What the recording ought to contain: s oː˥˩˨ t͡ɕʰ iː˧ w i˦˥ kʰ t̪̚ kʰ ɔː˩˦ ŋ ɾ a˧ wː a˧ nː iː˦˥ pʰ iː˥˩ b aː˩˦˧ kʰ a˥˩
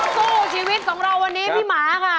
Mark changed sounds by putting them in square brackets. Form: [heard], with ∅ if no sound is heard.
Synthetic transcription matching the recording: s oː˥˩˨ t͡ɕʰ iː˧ w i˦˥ [∅] t̪̚ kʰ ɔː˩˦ ŋ ɾ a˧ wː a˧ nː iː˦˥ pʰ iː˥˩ [m] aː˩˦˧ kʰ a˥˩